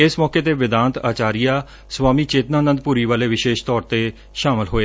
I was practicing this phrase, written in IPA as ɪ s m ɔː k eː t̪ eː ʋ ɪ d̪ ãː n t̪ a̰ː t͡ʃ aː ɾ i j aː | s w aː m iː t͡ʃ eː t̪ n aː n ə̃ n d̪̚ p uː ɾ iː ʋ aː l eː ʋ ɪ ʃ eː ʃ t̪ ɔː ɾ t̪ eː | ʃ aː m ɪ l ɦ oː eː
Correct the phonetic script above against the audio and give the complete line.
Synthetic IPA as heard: ɪ s m ɔː k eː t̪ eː ʋ ɪ d̪ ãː n t̪ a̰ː t͡ʃ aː ɾ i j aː | s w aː m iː t͡ʃ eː t̪ n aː n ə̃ n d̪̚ p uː ɾ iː ʋ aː l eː ʋ ɪ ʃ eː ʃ t̪ ɔː ɾ t̪ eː | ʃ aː m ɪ l ɦ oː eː